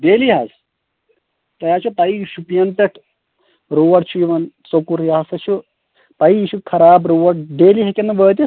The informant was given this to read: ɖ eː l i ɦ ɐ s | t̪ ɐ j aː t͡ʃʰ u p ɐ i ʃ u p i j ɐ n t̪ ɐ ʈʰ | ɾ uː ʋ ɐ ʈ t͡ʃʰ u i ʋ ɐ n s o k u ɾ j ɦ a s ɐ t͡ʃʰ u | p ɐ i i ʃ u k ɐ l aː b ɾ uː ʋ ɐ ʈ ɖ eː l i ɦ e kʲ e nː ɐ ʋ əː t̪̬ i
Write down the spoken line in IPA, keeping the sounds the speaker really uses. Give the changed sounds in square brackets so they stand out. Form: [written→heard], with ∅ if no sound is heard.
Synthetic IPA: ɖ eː l i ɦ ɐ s | t̪ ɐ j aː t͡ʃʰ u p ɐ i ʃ u p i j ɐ n t̪ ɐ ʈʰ | ɾ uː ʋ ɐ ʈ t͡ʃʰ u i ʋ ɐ n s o k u ɾ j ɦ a s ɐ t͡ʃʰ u | p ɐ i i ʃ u [k→kʰ] ɐ [l→ɾ] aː b ɾ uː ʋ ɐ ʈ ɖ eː l i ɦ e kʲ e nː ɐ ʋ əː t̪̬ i